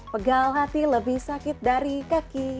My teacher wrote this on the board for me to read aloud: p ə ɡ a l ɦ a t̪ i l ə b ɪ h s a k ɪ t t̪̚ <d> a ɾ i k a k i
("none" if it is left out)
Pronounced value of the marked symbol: d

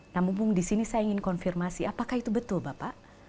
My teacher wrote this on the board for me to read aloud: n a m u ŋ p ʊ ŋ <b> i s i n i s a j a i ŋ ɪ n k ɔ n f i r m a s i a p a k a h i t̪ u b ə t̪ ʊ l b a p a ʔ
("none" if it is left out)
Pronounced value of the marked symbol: d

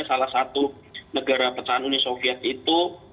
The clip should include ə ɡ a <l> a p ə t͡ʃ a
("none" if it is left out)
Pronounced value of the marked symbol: ɾ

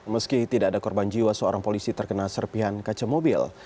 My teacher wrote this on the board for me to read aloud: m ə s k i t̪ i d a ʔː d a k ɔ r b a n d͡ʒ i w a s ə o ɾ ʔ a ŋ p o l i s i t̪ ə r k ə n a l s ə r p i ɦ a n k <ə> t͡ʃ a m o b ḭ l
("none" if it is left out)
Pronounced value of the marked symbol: a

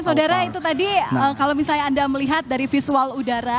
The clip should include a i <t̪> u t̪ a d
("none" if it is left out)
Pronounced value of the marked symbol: t̪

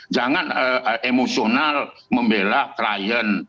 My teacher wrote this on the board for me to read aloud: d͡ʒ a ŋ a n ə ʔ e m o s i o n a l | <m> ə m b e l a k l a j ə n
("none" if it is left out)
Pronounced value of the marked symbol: m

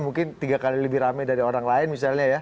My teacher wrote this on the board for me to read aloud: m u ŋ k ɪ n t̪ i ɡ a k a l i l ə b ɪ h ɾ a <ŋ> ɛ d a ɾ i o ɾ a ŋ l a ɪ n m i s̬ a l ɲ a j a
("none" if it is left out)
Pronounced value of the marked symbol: m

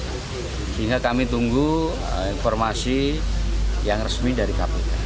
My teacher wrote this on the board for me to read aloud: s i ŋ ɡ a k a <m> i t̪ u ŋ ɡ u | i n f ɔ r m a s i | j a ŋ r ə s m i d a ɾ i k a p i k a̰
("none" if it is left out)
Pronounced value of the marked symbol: m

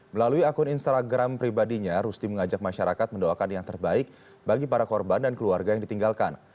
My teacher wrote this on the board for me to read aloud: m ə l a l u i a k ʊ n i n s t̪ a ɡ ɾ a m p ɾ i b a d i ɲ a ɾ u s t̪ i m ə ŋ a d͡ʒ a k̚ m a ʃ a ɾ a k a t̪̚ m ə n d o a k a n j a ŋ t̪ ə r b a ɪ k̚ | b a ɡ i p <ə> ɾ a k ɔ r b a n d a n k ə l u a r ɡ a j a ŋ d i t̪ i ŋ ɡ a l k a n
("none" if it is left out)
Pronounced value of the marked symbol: a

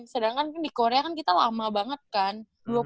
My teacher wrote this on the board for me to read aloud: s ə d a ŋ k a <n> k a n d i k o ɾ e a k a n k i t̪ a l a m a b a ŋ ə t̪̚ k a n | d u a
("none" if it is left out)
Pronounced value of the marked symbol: n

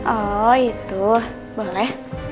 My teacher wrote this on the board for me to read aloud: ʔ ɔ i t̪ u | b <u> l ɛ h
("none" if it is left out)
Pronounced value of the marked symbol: o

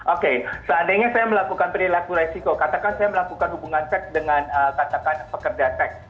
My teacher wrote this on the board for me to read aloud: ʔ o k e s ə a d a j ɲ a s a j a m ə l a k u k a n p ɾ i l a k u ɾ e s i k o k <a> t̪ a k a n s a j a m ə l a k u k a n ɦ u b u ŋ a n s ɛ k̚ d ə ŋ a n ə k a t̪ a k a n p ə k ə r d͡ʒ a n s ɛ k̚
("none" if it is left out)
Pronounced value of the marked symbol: a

